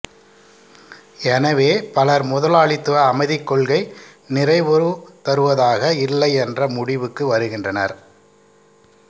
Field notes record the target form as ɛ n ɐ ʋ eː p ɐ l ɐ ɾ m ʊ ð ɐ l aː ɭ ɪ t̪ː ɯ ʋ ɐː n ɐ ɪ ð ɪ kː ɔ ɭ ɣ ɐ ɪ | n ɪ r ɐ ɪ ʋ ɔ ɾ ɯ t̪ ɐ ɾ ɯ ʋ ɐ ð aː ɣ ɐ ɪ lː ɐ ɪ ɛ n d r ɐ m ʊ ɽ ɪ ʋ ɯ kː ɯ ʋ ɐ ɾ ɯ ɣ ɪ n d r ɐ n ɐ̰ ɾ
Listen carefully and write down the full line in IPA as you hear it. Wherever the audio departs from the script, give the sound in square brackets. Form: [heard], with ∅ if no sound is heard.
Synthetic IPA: ɛ n ɐ ʋ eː p ɐ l ɐ ɾ m ʊ ð ɐ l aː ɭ ɪ t̪ː ɯ ʋ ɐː [m] ɐ ɪ ð ɪ kː ɔ ɭ ɣ ɐ ɪ | n ɪ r ɐ ɪ ʋ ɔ ɾ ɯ t̪ ɐ ɾ ɯ ʋ ɐ ð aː ɣ ɐ ɪ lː ɐ ɪ ɛ n d r ɐ m ʊ ɽ ɪ ʋ ɯ kː ɯ ʋ ɐ ɾ ɯ ɣ ɪ n d r ɐ n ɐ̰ ɾ